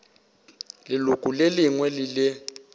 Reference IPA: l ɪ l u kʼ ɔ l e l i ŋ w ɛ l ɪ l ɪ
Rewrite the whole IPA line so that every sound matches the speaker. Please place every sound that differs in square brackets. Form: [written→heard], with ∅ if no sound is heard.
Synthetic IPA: l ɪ l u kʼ [ɔ→u] l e l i ŋ w ɛ l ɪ l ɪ